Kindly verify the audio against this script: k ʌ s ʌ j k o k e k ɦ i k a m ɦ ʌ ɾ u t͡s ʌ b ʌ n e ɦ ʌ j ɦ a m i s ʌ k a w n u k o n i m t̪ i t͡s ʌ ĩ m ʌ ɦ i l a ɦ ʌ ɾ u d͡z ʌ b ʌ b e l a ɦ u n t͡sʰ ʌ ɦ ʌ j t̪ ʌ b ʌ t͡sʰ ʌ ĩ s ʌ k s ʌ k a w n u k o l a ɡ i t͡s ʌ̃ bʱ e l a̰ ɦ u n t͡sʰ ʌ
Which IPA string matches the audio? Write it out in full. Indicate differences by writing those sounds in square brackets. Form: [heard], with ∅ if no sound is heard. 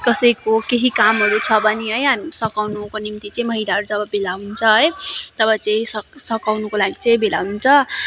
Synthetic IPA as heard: k ʌ s ʌ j k o k e [∅] ɦ i k a m ɦ ʌ ɾ u [t͡sʰ] ʌ b ʌ n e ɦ ʌ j ɦ a m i s ʌ k a w n u k o n i m t̪ i t͡s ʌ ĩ m ʌ ɦ i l a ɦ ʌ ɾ u d͡z ʌ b ʌ b e l a ɦ u n t͡sʰ ʌ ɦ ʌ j t̪ ʌ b ʌ [t͡s] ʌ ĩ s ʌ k s ʌ k a w n u k o l a ɡ i t͡s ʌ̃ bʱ e l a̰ ɦ u n t͡sʰ ʌ